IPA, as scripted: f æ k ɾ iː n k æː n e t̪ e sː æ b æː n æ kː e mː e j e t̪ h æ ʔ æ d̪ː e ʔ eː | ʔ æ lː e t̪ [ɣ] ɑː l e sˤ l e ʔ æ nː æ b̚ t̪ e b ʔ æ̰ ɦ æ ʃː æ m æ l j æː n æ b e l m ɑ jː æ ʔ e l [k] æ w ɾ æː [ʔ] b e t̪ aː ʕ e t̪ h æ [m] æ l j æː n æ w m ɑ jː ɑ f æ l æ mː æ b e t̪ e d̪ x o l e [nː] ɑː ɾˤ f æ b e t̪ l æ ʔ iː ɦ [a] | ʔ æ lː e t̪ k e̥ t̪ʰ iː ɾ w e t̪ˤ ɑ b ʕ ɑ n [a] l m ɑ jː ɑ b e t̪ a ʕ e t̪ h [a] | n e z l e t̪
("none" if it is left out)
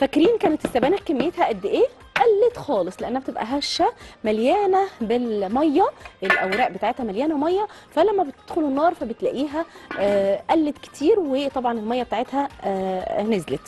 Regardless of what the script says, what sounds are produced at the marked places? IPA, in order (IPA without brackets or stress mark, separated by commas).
x, ʔ, ʔ, m, nː, æ, e, æ